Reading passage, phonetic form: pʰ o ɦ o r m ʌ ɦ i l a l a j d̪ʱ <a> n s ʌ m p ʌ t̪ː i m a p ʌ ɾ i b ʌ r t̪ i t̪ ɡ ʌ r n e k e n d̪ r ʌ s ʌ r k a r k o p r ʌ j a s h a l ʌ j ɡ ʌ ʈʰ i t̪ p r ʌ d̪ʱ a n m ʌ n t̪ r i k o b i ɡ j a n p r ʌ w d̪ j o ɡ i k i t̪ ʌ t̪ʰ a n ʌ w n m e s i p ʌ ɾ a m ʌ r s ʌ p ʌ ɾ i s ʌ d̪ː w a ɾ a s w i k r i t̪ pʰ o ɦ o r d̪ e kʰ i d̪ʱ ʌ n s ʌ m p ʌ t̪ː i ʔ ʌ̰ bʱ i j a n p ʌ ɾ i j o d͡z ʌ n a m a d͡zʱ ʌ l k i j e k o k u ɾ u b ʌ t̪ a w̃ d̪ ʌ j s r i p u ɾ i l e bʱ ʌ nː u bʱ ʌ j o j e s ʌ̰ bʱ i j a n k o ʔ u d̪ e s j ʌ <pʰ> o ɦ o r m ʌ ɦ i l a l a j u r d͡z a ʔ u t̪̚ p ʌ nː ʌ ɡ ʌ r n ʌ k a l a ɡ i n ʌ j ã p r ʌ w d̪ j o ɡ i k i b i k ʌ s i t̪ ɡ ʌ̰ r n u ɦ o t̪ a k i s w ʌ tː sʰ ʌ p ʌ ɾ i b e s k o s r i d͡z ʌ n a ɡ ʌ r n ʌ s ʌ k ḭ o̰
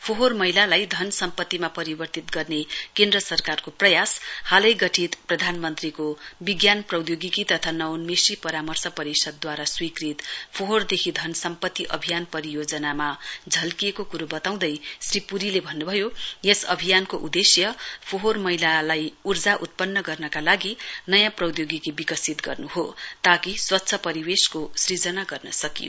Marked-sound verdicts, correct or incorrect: incorrect: ʌ, correct

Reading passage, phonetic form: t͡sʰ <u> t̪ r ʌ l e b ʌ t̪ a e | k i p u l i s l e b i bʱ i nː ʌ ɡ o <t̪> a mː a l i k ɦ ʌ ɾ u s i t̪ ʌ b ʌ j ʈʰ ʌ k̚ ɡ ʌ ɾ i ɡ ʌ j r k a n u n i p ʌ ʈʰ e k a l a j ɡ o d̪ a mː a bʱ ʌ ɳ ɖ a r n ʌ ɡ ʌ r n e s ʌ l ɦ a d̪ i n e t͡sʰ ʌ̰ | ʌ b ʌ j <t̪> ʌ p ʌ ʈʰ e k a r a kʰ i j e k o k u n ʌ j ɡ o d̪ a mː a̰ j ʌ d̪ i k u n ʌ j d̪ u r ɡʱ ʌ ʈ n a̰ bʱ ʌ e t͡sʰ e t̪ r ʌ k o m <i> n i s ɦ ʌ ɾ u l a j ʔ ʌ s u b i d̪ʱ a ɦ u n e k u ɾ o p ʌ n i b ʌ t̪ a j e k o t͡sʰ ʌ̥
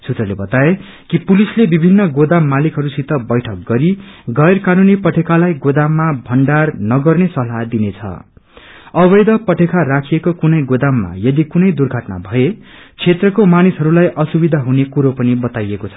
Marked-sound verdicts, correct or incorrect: correct, incorrect: d̪, incorrect: d̪, incorrect: a

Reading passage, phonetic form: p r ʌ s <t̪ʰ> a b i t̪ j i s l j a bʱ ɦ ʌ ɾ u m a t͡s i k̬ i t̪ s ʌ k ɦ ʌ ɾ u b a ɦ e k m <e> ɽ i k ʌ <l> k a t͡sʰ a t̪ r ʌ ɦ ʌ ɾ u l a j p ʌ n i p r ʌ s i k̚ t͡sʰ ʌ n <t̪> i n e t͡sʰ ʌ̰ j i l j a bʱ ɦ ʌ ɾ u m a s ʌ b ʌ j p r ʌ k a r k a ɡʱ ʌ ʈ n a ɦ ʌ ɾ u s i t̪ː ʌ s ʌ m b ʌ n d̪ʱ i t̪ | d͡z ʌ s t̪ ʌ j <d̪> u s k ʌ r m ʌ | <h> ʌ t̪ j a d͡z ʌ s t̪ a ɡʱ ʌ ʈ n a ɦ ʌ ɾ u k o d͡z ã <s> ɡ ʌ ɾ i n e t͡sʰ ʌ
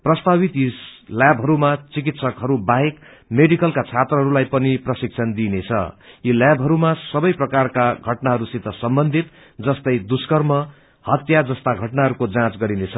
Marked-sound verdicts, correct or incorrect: incorrect: t̪, correct, correct, incorrect: d̪, correct, correct, incorrect: t͡s

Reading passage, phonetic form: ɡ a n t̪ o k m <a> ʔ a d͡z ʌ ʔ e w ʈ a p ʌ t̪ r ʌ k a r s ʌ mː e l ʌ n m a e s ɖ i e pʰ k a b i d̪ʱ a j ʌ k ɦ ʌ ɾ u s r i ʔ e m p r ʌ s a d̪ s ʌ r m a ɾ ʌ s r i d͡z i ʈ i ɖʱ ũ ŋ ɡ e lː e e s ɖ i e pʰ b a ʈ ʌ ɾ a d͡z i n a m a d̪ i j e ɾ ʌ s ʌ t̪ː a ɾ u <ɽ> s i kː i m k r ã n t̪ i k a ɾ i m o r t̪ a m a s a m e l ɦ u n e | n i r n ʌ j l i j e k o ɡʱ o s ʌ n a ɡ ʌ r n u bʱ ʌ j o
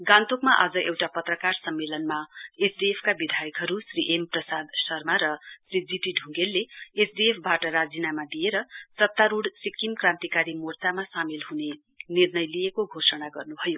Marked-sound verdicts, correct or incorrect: correct, correct

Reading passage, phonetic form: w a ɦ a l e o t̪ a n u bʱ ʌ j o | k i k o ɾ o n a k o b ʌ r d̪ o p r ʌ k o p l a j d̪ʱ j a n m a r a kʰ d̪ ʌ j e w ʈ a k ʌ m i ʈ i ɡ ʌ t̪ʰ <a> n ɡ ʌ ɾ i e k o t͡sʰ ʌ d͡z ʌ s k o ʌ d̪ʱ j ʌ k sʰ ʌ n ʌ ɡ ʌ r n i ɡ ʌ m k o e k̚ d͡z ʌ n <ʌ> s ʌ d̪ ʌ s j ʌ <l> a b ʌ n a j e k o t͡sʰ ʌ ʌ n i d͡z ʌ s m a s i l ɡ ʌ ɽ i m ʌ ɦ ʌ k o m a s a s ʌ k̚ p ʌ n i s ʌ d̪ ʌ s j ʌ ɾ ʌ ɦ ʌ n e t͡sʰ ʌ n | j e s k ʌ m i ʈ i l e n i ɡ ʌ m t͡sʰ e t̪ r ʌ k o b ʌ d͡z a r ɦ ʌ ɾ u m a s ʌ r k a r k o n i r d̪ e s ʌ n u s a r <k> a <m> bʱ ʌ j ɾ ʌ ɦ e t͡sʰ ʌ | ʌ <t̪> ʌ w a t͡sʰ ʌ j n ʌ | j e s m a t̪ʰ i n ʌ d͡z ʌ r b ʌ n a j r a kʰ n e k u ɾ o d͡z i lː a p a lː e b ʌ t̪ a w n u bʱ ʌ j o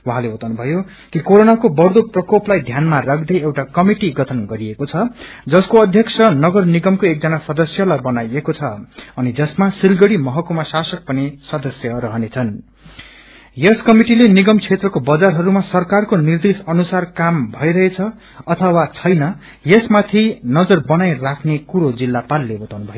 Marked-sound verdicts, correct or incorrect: incorrect: ʌ, incorrect: a, correct, correct, correct, incorrect: t̪ʰ

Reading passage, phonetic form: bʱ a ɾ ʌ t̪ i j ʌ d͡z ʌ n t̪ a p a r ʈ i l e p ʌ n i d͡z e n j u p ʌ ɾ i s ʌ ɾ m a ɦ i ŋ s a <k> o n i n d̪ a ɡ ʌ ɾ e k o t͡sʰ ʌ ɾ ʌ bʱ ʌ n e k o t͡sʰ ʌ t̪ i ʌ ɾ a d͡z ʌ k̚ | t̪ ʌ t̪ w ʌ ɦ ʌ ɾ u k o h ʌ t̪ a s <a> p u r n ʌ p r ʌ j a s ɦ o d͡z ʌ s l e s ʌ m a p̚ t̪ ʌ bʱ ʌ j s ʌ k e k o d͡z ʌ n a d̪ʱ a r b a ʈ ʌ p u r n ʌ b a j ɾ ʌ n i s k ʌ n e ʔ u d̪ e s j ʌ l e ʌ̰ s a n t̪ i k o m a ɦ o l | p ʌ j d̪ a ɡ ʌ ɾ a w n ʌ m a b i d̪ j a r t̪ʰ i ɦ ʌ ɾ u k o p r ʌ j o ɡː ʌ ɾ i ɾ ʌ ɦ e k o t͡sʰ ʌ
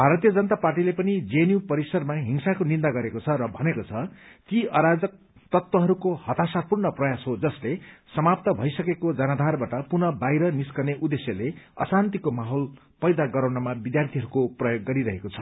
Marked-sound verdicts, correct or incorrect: correct, correct

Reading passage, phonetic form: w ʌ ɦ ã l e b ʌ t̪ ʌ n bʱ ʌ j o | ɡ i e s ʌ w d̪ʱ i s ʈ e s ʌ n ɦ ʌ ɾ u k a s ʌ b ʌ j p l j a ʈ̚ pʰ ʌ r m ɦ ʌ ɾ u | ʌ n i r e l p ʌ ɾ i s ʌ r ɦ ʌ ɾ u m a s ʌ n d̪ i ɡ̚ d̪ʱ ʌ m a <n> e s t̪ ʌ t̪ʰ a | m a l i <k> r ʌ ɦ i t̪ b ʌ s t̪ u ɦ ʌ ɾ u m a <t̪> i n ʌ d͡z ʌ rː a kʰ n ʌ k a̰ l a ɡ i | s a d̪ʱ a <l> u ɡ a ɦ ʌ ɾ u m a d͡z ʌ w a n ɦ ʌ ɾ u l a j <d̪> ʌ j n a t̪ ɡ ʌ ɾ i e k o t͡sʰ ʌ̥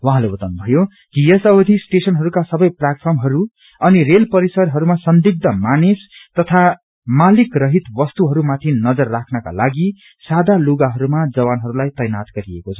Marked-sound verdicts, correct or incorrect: correct, correct, incorrect: t̪ʰ, correct, incorrect: t̪

